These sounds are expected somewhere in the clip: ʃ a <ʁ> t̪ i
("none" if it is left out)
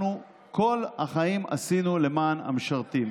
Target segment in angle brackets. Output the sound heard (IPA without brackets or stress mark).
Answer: ʁ